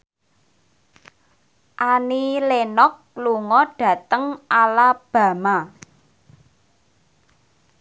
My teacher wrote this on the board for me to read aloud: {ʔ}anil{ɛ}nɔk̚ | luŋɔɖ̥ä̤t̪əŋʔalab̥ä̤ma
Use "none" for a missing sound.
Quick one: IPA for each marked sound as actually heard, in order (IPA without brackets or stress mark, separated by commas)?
ʔ, e